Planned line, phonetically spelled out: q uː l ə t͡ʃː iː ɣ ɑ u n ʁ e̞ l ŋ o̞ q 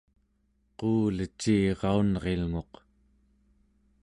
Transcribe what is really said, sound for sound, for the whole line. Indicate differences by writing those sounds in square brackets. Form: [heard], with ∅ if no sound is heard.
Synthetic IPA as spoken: q uː l ə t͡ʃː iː [ʁ] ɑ u n ʁ e̞ l ŋ o̞ q